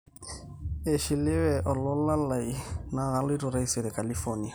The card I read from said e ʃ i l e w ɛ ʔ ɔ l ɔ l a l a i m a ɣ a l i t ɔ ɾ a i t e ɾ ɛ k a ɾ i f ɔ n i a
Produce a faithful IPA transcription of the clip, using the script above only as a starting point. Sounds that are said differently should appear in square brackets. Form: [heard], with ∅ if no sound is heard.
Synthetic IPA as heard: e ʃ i l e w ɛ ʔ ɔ l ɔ l a l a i [n] a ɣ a l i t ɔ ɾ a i [s] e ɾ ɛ k a [l] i f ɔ n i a